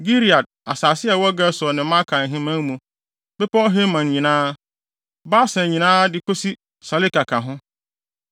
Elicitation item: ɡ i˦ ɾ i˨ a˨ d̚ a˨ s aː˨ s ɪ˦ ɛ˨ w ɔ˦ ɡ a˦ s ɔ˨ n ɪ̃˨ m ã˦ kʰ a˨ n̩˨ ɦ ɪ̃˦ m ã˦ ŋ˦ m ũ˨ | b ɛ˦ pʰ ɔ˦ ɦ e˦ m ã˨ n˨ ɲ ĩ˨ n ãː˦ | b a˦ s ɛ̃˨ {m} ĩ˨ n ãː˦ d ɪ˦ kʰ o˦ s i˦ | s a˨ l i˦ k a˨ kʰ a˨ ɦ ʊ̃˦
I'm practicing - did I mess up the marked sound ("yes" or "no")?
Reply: yes